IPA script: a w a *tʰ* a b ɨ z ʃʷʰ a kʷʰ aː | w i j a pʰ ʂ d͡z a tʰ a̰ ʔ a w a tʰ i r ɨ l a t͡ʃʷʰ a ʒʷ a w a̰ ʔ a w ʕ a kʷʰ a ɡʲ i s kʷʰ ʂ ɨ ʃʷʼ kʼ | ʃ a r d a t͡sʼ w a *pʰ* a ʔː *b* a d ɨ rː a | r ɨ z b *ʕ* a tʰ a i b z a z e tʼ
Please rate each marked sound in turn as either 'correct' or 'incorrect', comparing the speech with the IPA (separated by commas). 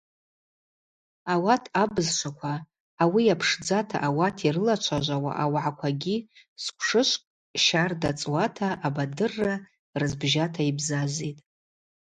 correct, incorrect, correct, incorrect